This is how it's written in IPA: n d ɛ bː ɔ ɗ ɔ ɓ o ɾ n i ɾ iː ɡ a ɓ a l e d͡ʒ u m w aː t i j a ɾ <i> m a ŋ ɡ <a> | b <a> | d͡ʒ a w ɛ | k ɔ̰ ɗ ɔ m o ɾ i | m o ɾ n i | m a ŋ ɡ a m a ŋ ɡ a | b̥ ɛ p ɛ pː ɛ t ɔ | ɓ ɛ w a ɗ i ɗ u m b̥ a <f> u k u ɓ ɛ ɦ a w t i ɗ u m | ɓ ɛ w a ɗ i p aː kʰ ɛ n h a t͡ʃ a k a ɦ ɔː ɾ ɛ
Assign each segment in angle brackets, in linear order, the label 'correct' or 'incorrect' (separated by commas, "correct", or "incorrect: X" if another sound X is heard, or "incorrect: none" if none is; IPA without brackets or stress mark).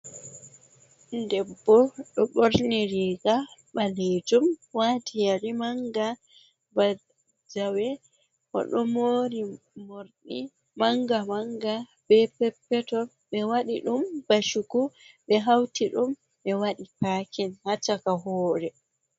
correct, correct, correct, incorrect: ʃ